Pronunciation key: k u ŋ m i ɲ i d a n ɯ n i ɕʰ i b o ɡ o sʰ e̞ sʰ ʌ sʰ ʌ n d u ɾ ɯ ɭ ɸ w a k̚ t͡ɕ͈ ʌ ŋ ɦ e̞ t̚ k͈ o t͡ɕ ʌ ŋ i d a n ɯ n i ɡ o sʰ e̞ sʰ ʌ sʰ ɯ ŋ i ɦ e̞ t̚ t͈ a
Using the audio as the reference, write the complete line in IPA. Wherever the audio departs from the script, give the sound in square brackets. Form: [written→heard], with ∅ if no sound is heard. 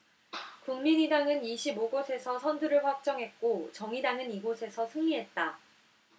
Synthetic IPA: k u ŋ m i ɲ i d a [n→ŋ] ɯ n i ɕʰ i b o ɡ o sʰ e̞ sʰ ʌ sʰ ʌ n d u ɾ ɯ ɭ ɸ w a k̚ t͡ɕ͈ ʌ ŋ ɦ e̞ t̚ k͈ o t͡ɕ ʌ ŋ i d a [n→ŋ] ɯ n i ɡ o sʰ e̞ sʰ ʌ sʰ ɯ ŋ i ɦ e̞ t̚ t͈ a